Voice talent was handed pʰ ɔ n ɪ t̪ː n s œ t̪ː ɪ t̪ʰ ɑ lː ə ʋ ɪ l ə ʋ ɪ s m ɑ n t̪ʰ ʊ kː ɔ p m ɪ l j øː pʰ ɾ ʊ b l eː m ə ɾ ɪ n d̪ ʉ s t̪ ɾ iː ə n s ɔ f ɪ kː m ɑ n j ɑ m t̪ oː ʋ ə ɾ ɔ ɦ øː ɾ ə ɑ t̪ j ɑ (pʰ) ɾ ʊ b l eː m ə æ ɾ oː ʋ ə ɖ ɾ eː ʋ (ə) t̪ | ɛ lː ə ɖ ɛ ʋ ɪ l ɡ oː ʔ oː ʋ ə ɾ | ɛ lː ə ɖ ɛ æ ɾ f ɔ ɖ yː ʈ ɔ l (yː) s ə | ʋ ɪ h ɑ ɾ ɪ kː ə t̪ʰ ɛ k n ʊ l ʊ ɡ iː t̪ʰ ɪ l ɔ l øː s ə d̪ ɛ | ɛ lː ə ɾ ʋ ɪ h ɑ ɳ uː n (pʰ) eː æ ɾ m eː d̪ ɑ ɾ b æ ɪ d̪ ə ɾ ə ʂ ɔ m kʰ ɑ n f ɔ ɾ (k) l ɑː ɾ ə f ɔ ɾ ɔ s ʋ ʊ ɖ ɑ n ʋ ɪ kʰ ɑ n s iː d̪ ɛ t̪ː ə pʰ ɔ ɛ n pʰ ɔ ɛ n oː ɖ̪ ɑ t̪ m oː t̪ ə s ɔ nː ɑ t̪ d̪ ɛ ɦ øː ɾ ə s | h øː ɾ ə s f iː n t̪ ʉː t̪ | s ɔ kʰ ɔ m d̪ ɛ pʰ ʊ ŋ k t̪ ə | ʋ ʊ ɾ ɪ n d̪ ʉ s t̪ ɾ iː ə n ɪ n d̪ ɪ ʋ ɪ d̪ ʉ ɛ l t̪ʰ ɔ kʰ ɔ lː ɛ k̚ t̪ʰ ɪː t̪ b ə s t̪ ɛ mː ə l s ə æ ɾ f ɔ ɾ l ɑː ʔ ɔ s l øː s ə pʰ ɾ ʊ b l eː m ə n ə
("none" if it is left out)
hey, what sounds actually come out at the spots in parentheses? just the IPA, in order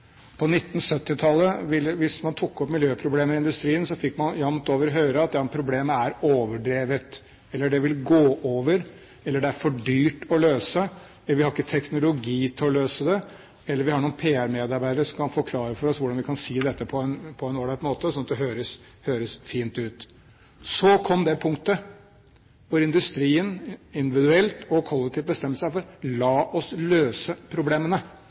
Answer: pʰ, ə, øː, pʰ, kʰ

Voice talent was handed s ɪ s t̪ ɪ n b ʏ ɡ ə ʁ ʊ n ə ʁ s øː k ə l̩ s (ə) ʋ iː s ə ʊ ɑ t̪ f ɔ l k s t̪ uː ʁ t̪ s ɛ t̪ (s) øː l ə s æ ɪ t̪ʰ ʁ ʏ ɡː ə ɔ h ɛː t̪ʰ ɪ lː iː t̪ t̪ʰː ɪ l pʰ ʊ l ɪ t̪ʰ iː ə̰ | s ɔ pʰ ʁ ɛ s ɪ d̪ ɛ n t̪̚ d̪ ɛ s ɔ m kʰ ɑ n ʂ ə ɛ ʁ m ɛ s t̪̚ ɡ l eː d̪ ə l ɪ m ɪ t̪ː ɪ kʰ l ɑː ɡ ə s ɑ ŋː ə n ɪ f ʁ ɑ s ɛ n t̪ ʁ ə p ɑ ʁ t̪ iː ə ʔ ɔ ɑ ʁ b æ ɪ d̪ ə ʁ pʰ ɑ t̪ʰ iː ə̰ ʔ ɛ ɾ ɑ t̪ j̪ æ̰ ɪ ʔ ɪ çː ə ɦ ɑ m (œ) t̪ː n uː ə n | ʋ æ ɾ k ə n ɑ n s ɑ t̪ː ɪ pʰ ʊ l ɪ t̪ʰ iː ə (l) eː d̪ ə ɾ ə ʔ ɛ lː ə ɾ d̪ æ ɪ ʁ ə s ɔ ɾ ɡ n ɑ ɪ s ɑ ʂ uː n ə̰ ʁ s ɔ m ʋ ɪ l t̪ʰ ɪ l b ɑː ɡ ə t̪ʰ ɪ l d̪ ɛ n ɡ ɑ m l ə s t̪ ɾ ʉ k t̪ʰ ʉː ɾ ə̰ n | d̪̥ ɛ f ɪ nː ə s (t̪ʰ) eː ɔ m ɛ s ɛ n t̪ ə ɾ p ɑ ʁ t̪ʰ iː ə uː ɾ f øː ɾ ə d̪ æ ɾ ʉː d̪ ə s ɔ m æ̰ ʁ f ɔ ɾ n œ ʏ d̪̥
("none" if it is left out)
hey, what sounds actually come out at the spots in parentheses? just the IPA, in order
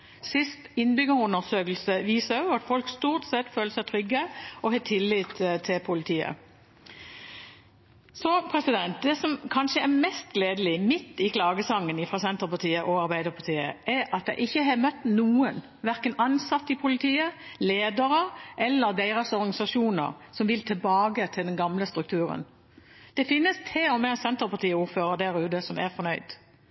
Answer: ə, f, œ, l, t̪ʰ

